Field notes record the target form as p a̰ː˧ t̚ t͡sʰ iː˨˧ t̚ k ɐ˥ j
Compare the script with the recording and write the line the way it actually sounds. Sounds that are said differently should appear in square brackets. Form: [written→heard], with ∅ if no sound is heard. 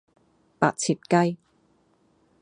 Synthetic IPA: p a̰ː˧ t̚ t͡sʰ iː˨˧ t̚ k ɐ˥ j